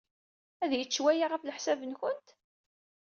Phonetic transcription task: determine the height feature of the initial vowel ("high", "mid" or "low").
low